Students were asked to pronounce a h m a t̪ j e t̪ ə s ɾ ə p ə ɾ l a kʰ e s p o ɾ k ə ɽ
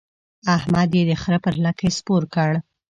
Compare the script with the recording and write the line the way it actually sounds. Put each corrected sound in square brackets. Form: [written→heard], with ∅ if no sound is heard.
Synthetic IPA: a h m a [t̪→d̪] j e [t̪→d̪] ə [s→x] ɾ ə p ə ɾ l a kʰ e s p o ɾ k ə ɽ

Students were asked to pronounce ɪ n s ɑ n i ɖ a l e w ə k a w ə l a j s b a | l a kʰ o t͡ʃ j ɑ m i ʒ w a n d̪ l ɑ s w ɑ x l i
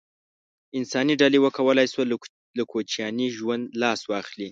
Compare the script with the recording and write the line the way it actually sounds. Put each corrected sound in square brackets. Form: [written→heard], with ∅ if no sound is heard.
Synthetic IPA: ɪ n s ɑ n i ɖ a l e w ə k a w ə l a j s [b→w] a | l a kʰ o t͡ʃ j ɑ [m→n] i ʒ w a n d̪ l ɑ s w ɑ x l i

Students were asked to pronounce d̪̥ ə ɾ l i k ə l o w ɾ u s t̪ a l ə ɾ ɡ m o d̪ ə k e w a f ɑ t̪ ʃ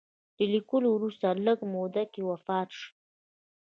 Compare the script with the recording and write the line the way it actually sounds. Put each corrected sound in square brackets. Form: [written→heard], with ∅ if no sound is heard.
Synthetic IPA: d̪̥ ə [ɾ→∅] l i k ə l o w ɾ u s t̪ a l ə [ɾ→∅] ɡ m o d̪ [ə→a] k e w a f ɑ t̪ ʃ

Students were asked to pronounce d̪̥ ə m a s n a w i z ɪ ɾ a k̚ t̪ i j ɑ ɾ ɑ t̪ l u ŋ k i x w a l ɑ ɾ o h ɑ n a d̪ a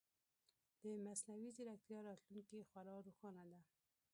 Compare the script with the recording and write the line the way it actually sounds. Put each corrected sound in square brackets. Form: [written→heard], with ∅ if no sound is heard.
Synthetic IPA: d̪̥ ə m a s n a w i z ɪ ɾ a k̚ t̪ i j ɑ ɾ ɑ t̪ l u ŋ k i x w a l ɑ ɾ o [h→x] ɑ n a d̪ a

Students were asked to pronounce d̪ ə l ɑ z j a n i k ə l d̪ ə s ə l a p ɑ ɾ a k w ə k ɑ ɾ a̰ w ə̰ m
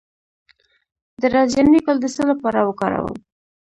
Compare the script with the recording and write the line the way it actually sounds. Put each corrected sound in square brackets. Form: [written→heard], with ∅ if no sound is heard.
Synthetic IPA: d̪ ə [l→ɾ] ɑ z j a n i k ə l d̪ ə s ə l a p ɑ ɾ a [k→∅] w ə k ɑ ɾ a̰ w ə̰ m

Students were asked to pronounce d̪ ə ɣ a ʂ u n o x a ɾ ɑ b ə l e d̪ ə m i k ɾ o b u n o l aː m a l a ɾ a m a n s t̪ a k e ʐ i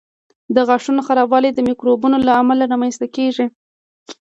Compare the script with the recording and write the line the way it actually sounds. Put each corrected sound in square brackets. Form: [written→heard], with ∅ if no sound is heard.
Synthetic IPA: d̪ ə ɣ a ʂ u n o x a ɾ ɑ b [ə→ɑ] l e d̪ ə m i k ɾ o b u n o l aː m a l a ɾ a m a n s t̪ a k e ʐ i

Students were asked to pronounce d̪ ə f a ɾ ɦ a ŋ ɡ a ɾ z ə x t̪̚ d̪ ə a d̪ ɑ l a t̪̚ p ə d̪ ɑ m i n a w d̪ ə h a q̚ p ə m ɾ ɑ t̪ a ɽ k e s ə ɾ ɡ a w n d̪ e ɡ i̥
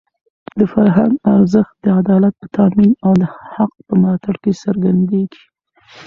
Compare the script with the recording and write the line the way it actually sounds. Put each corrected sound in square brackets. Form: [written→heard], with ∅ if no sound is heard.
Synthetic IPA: d̪ ə f a ɾ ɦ a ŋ ɡ a ɾ z ə x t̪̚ d̪ ə a d̪ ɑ l a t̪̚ p ə [d̪→t̪] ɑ m i n a w d̪ ə h a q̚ p ə m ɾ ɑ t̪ a ɽ k e s ə ɾ ɡ a [w→∅] n d̪ e ɡ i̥

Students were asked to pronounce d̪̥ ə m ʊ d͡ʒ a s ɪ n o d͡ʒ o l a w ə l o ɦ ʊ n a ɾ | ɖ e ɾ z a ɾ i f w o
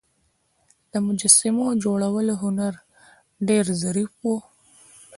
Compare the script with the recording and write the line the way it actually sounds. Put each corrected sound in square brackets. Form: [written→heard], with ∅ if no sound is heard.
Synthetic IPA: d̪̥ ə m ʊ d͡ʒ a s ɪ [n→m] o d͡ʒ o [l→ɽ] a w ə l o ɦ ʊ n a ɾ | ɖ e ɾ z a ɾ i f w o

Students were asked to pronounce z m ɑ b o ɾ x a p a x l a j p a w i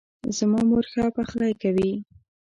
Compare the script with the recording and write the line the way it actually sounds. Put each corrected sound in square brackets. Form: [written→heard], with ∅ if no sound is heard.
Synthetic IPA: z m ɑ [b→m] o ɾ x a p a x l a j [p→k] a w i

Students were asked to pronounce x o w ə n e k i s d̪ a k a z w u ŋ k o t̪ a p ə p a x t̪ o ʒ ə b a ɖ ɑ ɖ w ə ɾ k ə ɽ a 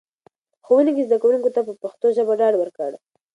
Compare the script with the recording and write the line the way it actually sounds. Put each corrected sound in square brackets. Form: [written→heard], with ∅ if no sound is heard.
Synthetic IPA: x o w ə n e k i [s→z] d̪ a k a [z→∅] w u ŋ k o t̪ a p ə p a x t̪ o ʒ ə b a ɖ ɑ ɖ w ə ɾ k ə ɽ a

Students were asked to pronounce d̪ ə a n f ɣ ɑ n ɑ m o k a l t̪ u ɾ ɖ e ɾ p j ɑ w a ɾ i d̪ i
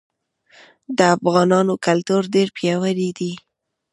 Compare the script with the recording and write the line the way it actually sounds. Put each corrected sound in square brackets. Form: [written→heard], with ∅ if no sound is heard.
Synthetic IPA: d̪ ə a [n→∅] f ɣ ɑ n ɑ [m→n] o k a l t̪ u ɾ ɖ e ɾ p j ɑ w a ɾ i d̪ i

